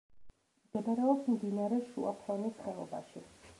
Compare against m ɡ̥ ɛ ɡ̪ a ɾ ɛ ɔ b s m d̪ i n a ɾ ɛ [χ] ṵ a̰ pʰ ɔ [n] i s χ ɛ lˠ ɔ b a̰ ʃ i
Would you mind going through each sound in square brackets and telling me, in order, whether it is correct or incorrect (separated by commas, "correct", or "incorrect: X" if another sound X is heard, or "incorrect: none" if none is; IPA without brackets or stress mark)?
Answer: incorrect: ʃ, correct